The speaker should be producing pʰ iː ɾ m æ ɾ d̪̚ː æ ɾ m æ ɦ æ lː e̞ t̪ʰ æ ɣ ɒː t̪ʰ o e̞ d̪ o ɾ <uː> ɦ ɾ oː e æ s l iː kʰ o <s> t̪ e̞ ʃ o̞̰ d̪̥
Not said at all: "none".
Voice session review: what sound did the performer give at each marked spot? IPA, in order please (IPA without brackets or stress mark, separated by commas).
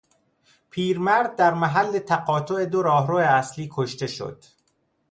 ɒː, ʃ